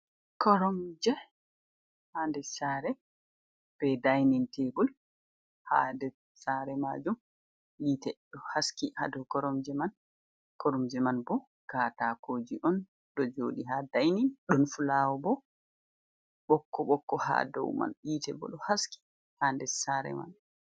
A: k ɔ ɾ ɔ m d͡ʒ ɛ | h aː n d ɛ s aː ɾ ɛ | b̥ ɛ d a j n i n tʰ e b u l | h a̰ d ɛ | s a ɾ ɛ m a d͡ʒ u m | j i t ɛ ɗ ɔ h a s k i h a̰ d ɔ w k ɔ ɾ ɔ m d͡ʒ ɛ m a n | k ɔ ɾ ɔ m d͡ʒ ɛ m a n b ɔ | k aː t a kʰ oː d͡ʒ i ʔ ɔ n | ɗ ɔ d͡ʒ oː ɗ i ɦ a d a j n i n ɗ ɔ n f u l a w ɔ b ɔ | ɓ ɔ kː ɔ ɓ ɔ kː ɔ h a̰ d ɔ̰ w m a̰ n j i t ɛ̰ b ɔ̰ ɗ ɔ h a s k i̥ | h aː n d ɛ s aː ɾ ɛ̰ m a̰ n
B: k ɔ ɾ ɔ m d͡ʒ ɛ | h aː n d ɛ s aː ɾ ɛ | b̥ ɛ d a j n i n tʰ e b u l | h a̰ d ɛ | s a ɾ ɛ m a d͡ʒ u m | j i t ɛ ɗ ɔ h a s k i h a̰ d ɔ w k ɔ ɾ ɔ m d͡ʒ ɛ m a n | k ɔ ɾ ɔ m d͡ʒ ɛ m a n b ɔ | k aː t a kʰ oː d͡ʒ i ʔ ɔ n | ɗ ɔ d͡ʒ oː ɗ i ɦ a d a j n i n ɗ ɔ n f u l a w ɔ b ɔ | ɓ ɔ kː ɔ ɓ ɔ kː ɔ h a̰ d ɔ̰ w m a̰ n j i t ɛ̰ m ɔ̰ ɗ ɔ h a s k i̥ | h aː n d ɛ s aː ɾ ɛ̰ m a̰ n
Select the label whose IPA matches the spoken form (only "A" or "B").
A